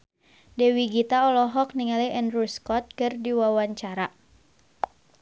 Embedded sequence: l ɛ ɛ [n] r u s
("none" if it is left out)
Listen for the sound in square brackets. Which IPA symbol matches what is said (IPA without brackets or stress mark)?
n